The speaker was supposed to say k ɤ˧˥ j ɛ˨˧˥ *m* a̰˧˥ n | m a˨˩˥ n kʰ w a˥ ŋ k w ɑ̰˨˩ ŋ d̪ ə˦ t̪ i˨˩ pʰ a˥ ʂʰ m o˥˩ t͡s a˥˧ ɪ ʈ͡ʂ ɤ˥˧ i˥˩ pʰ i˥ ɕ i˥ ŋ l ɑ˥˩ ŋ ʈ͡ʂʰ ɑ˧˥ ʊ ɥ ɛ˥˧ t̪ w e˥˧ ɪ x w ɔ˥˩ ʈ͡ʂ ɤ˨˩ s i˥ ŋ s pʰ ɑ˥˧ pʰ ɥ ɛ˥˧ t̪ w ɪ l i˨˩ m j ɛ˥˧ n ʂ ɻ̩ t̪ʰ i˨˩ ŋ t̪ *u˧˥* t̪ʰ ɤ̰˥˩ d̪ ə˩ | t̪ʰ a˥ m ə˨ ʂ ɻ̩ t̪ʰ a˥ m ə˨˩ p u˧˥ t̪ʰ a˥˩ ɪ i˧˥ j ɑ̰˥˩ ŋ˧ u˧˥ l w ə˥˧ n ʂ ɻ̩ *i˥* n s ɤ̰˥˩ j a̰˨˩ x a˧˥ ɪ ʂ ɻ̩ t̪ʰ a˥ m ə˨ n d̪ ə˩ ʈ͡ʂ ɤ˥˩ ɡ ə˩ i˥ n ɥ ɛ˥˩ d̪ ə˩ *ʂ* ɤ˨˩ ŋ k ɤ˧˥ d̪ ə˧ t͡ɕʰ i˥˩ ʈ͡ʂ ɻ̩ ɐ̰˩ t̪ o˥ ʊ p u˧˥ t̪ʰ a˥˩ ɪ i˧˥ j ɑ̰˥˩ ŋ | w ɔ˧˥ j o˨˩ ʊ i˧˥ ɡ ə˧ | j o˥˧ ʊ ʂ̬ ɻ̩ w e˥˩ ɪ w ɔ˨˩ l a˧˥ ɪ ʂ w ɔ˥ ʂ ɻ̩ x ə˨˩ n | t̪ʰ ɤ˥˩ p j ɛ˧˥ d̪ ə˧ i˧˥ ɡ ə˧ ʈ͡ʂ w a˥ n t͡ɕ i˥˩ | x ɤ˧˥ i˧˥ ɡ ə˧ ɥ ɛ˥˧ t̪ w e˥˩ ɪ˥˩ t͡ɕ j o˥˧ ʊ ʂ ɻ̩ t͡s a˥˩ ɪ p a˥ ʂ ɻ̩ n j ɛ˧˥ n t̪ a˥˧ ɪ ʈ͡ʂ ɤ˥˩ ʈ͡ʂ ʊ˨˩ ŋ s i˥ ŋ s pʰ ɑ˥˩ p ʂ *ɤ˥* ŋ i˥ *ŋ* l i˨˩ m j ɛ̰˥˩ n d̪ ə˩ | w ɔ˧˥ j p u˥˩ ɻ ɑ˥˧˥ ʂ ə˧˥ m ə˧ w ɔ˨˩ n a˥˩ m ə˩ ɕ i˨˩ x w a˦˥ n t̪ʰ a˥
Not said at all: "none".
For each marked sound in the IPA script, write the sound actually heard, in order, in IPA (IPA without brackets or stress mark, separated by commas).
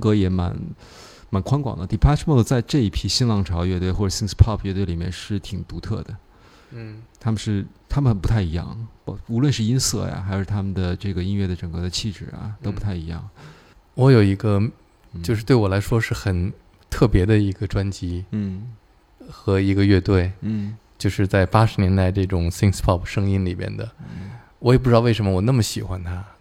m, u˧˥, i˥, ʈ͡ʂ, ɤ˥, n